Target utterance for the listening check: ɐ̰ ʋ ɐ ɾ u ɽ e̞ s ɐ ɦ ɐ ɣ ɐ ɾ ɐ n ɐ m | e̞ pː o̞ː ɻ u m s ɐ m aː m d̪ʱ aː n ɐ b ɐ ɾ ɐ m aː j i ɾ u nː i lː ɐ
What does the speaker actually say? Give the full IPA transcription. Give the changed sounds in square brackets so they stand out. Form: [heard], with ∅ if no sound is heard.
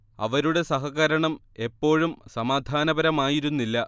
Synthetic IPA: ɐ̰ ʋ ɐ ɾ u ɽ e̞ s ɐ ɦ ɐ ɣ ɐ ɾ ɐ [ɳ] ɐ m | e̞ pː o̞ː ɻ u m s ɐ m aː [∅] d̪ʱ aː n ɐ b ɐ ɾ ɐ m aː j i ɾ u nː i lː ɐ